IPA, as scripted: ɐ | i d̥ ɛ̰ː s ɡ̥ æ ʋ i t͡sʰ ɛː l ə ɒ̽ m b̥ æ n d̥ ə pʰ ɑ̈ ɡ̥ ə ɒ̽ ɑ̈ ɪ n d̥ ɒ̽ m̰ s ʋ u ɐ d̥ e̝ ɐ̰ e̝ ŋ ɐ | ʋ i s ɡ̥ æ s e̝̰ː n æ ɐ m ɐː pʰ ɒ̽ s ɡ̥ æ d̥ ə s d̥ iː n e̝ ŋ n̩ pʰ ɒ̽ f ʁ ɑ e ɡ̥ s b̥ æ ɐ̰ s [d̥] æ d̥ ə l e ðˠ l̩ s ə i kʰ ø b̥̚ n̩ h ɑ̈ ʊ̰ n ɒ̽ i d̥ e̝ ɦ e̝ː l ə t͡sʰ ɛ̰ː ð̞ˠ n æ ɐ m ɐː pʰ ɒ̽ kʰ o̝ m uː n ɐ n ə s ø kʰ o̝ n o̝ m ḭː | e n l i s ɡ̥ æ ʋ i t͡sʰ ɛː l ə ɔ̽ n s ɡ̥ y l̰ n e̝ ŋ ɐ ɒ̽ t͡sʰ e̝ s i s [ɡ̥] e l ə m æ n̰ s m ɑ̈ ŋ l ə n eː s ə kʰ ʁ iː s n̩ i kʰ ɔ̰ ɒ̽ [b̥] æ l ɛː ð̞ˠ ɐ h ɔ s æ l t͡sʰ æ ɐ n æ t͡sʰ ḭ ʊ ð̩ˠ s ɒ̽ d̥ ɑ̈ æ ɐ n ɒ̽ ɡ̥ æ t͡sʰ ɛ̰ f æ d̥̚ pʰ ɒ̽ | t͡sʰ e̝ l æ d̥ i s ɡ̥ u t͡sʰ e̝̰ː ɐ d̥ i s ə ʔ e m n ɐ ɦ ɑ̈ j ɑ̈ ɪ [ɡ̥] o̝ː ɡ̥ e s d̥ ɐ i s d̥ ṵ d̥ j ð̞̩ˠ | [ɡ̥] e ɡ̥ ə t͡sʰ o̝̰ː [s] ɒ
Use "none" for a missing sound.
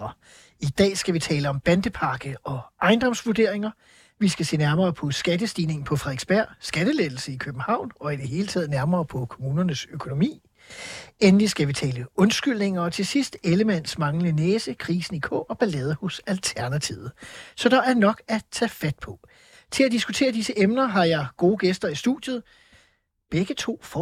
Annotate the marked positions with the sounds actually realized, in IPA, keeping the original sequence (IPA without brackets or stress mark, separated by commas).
ɡ̥, d̥, b̥, ɡ̥, b̥, f